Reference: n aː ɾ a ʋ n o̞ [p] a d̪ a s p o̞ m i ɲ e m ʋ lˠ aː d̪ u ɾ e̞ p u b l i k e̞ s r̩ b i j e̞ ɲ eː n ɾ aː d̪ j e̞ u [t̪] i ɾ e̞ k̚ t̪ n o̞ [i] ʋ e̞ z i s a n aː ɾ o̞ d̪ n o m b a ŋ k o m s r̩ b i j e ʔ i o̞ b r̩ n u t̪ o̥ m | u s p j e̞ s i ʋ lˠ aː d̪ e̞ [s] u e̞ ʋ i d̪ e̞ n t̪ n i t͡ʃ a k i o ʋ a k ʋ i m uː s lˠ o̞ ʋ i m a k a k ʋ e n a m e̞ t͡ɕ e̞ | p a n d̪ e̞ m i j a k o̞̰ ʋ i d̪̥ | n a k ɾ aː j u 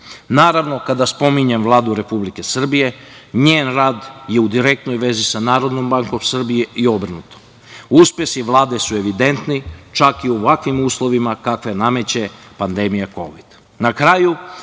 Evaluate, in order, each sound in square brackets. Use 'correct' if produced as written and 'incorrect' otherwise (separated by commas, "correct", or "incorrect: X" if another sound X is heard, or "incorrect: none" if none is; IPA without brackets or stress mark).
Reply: incorrect: k, incorrect: d̪, incorrect: j, correct